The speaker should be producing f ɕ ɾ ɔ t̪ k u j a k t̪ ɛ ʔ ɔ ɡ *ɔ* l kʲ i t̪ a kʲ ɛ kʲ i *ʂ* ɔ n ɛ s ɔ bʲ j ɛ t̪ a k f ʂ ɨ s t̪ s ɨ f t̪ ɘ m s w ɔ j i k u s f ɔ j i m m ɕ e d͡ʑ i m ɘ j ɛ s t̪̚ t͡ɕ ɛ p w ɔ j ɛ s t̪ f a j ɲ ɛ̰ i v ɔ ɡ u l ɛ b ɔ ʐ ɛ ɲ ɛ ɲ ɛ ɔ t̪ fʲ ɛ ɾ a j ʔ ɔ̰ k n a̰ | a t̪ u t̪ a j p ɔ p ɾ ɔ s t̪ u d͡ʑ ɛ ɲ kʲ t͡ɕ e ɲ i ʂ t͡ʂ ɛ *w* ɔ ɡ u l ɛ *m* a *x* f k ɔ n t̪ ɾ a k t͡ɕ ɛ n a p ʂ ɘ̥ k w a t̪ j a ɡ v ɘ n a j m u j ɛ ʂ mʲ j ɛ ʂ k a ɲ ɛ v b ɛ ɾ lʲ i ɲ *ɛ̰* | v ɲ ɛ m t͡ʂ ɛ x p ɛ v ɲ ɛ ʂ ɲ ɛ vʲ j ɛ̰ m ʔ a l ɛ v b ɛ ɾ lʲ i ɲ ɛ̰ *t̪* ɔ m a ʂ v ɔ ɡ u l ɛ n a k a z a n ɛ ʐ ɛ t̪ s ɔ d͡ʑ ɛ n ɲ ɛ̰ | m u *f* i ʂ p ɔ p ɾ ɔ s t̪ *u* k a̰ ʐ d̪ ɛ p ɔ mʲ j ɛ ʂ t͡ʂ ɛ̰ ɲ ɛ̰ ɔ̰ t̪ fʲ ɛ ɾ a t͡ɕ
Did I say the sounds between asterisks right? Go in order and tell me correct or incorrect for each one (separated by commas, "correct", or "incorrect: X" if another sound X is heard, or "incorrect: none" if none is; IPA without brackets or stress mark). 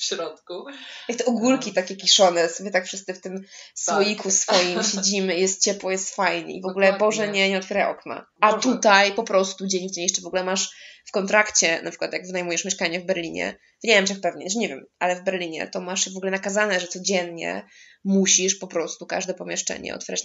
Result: incorrect: u, correct, incorrect: v, correct, incorrect: ʂ, correct, correct, incorrect: ɕ, correct